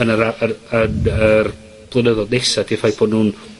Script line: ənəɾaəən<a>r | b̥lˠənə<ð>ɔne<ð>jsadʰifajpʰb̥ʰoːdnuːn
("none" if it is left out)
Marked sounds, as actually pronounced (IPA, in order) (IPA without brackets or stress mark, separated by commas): ə, ð, none